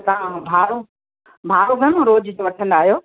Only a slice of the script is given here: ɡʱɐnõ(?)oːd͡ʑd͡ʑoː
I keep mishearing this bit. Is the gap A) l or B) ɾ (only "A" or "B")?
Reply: B